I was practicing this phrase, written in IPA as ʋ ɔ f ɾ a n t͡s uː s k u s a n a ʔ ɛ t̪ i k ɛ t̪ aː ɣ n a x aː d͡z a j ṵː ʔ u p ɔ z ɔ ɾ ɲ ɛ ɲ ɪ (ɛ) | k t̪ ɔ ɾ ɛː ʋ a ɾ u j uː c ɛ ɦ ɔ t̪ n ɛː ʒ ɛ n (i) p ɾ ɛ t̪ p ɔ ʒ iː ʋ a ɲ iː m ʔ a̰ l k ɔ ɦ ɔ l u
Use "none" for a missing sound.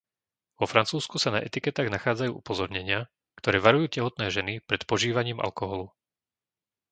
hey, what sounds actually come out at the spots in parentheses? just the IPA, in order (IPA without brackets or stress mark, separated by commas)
a, i